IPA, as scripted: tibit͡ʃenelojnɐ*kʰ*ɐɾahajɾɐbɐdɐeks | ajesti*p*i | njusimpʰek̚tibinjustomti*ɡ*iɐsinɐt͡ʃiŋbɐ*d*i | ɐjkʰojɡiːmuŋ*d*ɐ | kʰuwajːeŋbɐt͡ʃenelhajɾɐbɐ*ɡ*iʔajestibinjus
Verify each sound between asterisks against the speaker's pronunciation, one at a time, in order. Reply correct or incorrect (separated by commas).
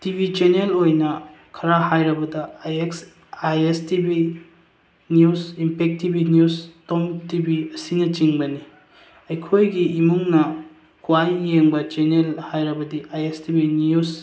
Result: correct, incorrect, incorrect, incorrect, incorrect, incorrect